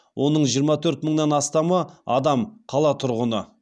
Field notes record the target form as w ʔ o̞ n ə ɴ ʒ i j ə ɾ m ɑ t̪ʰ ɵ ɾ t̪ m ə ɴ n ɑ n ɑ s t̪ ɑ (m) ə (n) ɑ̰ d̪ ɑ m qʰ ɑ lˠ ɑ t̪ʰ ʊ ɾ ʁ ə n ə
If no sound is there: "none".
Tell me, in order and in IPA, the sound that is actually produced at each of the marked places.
m, none

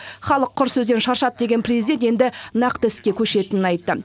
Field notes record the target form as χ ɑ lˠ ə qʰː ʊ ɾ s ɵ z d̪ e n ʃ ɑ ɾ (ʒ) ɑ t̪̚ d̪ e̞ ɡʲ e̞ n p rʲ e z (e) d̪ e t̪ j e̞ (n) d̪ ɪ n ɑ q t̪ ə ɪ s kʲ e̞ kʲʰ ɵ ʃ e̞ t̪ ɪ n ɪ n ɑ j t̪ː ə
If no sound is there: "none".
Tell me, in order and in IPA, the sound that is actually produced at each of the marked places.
ʃ, i, n

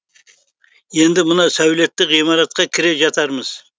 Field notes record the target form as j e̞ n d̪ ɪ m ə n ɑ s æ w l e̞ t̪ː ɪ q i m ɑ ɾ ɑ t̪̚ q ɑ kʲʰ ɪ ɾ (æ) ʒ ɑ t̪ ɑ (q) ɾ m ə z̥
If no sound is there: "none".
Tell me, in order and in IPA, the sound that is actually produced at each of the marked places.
e, none

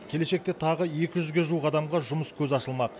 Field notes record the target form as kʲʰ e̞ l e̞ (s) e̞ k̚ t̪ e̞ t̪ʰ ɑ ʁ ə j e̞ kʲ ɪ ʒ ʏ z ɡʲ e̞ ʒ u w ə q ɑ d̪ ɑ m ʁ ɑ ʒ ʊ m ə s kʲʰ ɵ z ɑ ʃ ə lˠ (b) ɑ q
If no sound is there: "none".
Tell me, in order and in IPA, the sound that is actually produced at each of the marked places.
ʃ, m

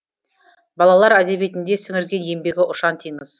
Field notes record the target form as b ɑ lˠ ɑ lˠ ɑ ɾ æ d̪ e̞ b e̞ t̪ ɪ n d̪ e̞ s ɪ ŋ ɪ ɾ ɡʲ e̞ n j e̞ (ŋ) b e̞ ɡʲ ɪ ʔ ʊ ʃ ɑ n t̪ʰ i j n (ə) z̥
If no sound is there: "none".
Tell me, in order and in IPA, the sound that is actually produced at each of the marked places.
m, ə

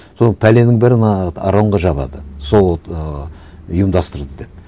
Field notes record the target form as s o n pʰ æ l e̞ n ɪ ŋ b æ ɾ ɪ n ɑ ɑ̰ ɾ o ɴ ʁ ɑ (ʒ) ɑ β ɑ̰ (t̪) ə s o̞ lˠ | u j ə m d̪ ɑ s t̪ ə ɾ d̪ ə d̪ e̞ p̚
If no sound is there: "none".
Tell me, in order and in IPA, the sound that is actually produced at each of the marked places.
ʒ, d̪

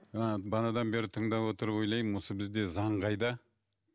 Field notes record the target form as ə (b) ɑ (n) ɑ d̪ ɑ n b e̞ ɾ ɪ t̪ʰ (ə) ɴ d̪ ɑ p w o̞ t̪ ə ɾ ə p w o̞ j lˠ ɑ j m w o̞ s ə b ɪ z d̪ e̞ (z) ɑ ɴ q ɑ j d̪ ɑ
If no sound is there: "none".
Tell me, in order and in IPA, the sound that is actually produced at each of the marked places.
b, n, ə, z

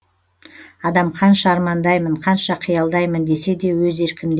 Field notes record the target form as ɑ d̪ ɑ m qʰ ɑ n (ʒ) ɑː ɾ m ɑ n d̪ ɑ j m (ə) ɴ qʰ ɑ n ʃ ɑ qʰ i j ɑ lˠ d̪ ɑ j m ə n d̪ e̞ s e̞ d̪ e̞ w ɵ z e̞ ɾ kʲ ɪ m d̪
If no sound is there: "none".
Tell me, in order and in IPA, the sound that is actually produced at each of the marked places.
ʃ, ə

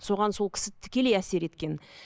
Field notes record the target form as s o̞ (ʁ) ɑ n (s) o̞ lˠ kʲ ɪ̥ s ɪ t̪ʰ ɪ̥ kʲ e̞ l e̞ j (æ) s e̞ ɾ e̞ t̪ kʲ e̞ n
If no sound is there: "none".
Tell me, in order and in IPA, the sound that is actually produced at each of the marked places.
ʁ, s, æ

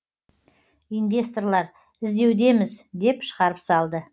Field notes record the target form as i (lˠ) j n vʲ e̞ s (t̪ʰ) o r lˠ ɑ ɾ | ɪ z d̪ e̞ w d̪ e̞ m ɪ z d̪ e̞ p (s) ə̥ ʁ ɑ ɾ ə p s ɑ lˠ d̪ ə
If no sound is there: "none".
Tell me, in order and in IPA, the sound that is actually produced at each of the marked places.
none, t̪, ʃ

